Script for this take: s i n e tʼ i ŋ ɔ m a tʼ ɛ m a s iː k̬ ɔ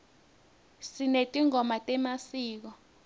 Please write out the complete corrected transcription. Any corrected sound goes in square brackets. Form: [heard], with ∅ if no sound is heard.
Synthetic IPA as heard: s i n e tʼ i ŋ ɔ m a tʼ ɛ m a s iː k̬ ɔ